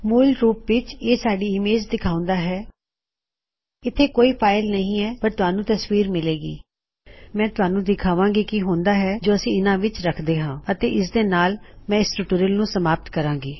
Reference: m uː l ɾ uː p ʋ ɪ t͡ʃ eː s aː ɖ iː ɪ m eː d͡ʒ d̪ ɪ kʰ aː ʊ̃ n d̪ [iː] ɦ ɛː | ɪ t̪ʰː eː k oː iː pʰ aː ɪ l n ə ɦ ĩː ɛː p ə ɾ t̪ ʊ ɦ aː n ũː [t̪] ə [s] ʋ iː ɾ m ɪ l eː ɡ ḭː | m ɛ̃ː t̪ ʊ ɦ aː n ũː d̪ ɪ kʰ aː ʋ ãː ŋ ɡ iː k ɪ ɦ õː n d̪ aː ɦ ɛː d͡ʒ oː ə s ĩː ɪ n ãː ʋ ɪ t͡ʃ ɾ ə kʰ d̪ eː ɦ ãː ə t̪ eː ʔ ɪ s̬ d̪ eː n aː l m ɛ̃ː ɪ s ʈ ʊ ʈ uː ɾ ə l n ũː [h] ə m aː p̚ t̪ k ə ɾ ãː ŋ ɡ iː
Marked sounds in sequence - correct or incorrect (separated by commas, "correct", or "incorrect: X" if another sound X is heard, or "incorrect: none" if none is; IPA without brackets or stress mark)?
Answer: incorrect: aː, correct, correct, incorrect: s